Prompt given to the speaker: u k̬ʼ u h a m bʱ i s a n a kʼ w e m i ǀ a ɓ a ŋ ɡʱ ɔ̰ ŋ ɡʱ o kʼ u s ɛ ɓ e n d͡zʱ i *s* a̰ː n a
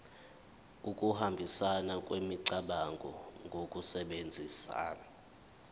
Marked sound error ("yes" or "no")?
no